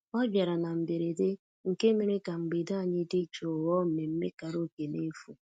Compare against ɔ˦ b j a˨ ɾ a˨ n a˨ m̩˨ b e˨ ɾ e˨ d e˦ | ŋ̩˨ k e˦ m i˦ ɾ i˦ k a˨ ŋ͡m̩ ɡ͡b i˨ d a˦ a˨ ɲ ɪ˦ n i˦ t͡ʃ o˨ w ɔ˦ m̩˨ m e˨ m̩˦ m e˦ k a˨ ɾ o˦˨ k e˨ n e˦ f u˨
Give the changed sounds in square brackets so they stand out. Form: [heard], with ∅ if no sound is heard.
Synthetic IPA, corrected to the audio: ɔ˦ b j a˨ ɾ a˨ n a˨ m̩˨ b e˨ ɾ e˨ d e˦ | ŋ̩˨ k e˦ m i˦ ɾ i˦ k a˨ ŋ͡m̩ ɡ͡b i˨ d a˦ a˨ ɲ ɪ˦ [d] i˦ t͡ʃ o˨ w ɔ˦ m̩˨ m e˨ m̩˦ m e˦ k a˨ ɾ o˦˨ k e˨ n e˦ f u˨